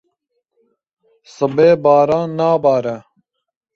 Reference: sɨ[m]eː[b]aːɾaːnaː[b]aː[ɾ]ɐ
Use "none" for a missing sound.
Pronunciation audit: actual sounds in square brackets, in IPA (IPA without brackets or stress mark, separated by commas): b, b, b, ɾ